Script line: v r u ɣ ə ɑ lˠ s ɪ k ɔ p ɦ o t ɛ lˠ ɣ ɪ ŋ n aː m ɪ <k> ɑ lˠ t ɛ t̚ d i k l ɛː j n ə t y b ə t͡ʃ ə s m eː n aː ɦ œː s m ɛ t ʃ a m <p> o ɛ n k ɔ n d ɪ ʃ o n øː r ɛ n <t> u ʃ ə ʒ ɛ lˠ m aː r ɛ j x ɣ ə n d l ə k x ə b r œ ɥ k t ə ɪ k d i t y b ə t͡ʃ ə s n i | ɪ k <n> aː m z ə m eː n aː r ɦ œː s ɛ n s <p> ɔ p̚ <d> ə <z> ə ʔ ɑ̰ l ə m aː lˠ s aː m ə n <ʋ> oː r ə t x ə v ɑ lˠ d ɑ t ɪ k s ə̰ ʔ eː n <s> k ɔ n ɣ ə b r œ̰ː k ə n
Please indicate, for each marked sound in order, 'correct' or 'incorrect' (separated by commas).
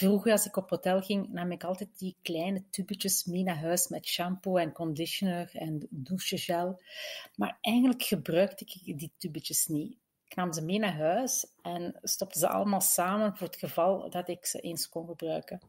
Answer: correct, correct, incorrect, correct, incorrect, incorrect, correct, incorrect, correct